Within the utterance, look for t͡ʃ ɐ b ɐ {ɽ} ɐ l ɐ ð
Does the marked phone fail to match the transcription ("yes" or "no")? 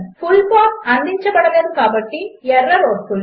no